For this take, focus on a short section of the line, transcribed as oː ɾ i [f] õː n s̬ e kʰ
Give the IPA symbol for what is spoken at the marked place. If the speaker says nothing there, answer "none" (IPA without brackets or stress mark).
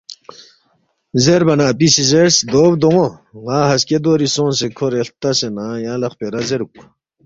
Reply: s